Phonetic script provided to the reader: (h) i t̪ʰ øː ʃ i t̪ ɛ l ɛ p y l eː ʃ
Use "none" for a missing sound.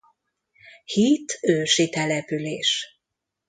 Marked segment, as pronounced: h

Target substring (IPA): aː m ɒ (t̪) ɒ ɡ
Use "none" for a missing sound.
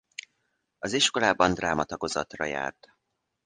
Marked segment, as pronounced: t̪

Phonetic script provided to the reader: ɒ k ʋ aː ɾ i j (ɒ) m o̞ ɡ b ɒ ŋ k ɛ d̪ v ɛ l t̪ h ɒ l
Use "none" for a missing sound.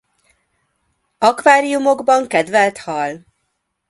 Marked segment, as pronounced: u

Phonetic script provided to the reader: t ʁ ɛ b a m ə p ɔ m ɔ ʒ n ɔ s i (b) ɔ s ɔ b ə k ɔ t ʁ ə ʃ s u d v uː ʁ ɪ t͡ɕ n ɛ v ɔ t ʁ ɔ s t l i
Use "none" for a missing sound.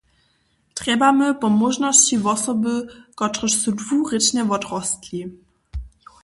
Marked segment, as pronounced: v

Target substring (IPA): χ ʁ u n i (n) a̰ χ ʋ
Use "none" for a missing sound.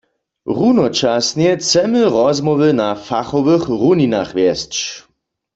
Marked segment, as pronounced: n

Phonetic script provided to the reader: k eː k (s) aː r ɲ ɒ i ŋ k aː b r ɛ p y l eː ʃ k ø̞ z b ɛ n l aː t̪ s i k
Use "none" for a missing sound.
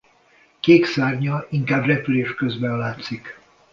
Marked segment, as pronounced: s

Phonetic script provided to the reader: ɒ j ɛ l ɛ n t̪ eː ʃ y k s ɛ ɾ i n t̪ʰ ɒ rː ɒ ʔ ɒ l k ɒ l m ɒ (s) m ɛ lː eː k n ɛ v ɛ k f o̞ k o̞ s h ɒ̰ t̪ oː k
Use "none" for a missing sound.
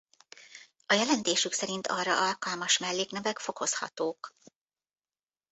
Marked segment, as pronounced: ʃ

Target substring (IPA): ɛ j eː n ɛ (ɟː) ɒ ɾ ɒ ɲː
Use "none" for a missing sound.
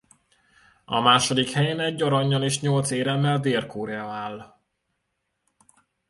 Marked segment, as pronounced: ɟː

